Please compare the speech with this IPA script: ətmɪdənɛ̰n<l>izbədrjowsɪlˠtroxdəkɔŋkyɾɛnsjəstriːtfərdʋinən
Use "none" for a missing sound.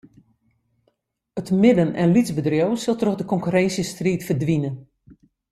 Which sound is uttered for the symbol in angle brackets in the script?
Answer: l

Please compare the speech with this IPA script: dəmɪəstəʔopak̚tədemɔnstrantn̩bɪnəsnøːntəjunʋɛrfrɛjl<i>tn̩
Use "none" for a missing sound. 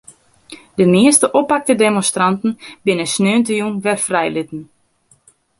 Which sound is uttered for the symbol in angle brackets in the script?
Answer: ɪ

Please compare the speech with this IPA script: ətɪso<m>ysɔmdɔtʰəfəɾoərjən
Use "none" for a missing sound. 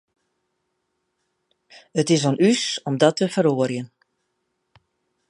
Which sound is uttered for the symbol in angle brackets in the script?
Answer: n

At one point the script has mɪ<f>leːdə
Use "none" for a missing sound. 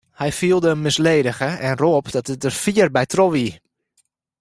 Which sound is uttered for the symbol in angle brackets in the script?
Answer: s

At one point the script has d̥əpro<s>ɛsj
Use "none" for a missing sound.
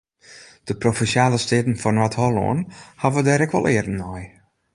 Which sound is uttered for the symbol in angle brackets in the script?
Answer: f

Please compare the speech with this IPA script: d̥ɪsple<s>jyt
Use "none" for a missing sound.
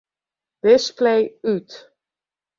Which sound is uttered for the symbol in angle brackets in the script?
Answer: none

